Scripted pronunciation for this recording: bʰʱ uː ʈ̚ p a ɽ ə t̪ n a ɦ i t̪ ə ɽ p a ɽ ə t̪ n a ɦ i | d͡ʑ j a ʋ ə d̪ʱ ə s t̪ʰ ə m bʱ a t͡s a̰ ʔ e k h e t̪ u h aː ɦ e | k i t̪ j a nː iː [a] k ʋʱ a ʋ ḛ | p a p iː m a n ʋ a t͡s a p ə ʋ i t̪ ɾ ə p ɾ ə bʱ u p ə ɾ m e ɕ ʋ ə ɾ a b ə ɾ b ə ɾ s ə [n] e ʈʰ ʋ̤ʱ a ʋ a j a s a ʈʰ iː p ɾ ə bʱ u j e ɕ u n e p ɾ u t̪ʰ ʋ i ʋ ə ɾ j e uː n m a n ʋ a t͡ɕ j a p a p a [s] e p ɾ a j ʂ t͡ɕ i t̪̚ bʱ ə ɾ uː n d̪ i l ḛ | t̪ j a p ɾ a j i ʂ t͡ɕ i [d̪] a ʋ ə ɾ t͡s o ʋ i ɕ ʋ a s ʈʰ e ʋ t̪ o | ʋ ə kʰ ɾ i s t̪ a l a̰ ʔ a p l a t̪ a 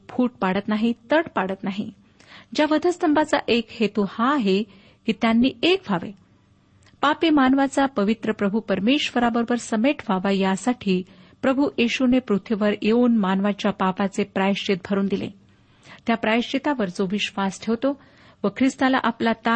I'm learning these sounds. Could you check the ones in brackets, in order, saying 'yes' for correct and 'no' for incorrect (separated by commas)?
no, no, no, no